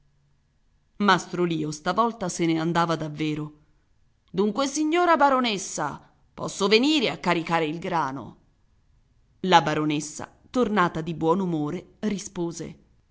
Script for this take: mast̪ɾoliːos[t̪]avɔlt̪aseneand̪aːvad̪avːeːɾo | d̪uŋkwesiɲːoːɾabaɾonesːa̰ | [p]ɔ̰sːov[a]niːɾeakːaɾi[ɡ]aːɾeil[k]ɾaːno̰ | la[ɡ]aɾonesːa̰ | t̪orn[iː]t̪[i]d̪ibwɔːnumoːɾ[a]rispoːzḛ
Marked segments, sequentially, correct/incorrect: correct, correct, incorrect, incorrect, incorrect, incorrect, incorrect, incorrect, incorrect

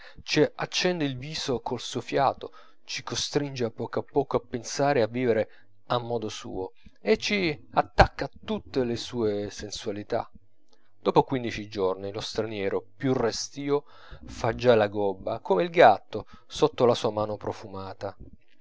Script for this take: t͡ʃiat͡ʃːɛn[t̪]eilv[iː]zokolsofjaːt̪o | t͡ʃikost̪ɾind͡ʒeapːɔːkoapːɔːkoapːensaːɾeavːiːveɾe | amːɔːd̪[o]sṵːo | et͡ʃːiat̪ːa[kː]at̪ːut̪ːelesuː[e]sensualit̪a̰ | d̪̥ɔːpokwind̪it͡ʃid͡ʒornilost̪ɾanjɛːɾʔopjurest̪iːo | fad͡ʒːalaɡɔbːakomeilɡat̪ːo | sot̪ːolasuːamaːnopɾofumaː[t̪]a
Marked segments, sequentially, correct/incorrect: incorrect, correct, correct, correct, correct, correct

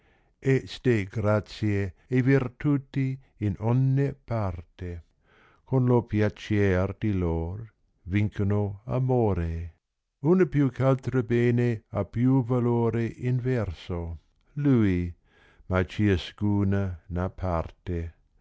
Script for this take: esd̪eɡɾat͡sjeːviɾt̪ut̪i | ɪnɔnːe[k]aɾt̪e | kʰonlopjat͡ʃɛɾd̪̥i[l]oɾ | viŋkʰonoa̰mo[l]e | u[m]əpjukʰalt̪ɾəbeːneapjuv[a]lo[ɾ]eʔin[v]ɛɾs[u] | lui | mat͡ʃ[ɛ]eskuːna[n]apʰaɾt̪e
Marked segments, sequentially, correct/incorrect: incorrect, correct, incorrect, incorrect, correct, correct, correct, incorrect, incorrect, correct

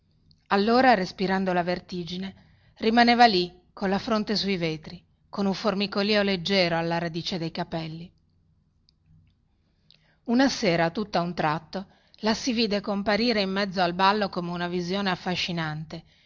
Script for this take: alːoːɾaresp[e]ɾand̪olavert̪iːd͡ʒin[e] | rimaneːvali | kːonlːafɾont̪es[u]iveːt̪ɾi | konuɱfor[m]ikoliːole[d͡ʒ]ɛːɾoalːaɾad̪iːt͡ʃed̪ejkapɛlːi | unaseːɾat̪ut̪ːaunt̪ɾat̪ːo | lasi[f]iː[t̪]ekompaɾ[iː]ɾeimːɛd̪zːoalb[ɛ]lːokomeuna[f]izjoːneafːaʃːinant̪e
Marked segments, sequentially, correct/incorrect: incorrect, correct, correct, correct, incorrect, incorrect, incorrect, correct, incorrect, incorrect

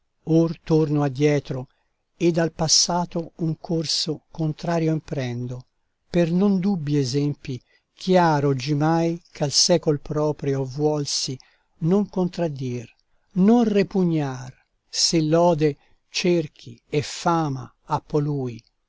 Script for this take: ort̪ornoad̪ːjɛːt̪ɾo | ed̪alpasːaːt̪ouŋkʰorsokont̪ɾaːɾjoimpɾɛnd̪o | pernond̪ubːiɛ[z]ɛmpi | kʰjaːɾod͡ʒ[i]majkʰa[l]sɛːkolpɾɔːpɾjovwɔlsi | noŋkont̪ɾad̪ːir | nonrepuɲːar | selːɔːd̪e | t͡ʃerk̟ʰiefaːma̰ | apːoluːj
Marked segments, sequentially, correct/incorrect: correct, correct, correct

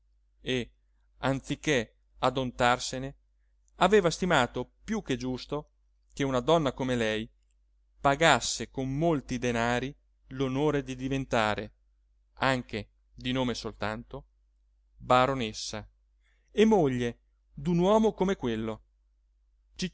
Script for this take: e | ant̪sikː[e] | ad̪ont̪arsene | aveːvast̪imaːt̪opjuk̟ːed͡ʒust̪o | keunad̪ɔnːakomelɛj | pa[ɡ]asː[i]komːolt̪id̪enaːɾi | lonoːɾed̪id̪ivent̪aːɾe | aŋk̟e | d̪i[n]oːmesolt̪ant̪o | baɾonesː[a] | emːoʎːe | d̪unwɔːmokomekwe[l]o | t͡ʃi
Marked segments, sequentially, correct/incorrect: correct, correct, incorrect, correct, correct, incorrect

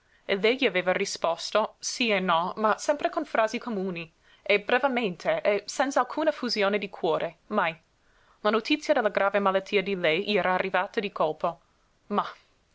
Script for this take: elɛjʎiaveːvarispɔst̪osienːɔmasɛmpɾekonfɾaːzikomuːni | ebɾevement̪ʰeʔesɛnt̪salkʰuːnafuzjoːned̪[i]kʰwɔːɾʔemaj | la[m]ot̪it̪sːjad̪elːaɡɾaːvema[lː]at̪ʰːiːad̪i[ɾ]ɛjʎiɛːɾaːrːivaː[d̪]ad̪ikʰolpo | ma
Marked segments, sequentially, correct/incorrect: correct, incorrect, incorrect, incorrect, incorrect

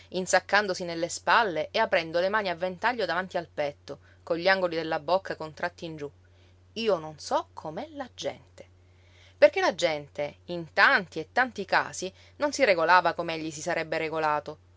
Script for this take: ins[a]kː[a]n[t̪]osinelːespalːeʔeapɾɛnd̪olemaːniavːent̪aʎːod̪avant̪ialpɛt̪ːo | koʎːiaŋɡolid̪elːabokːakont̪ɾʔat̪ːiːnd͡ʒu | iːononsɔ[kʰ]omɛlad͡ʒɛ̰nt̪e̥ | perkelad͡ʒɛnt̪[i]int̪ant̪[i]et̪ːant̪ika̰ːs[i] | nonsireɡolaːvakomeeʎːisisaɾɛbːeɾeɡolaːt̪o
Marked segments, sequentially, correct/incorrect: correct, correct, incorrect, correct, incorrect, correct, correct

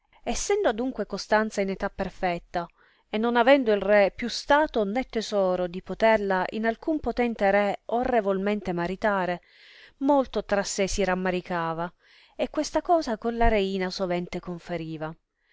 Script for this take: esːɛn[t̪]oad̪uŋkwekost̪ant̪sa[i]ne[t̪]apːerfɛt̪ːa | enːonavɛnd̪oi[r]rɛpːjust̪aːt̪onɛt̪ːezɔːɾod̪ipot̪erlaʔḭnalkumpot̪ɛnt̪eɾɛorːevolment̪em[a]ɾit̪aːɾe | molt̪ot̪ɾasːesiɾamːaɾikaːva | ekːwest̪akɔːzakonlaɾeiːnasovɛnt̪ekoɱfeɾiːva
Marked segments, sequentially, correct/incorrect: incorrect, correct, correct, incorrect, correct

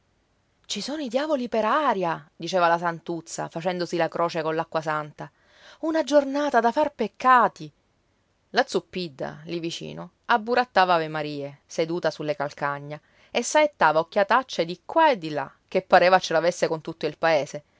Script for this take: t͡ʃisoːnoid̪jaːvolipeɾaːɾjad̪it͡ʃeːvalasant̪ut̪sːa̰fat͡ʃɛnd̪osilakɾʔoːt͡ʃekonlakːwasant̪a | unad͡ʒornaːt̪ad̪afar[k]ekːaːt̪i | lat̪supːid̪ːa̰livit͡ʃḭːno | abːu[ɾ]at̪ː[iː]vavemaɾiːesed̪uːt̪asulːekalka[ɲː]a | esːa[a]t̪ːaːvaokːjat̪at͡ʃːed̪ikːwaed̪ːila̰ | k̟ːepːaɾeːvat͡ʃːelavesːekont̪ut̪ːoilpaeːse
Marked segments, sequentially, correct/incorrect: incorrect, correct, incorrect, correct, incorrect

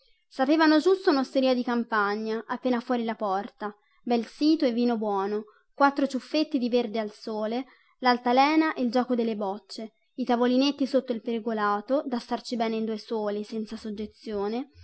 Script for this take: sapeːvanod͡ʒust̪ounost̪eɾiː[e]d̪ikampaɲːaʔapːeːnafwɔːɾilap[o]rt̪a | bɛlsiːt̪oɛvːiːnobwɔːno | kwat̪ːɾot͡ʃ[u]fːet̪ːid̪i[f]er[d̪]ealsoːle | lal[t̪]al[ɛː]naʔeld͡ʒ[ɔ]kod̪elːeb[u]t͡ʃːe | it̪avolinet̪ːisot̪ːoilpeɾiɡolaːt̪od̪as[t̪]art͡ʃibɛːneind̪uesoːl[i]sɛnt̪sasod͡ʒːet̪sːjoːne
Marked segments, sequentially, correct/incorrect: incorrect, incorrect, correct, incorrect, correct, correct, correct, incorrect, incorrect, correct, correct

